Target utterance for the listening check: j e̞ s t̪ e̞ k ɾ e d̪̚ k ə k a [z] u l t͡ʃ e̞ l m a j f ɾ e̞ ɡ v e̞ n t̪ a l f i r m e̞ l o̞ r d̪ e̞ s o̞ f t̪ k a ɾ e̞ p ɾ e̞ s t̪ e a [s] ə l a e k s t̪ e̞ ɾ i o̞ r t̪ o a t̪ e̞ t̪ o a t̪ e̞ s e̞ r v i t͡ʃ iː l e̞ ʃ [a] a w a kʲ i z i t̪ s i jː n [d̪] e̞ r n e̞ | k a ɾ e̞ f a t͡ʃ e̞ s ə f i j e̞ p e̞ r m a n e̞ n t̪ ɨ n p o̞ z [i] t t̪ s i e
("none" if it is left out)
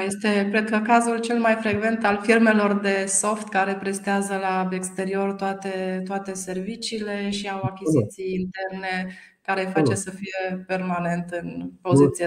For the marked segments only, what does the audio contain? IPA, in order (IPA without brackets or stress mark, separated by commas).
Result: z, z, i, t̪, i